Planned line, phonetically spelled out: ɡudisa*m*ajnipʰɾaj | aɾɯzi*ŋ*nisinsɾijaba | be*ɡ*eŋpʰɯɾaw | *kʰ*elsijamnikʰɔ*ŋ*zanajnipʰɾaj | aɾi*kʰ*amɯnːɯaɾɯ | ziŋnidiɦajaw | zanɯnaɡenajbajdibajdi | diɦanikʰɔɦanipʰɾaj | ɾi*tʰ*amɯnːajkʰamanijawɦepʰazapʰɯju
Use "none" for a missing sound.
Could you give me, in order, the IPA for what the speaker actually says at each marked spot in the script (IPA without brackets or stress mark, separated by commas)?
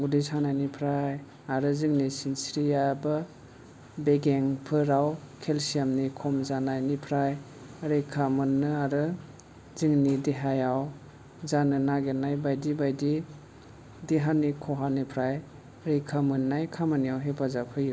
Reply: n, ŋ, ɡ, kʰ, m, kʰ, kʰ